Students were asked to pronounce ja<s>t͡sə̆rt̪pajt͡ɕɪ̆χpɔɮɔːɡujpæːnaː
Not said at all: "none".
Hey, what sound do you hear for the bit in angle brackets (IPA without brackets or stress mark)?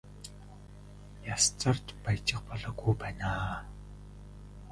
s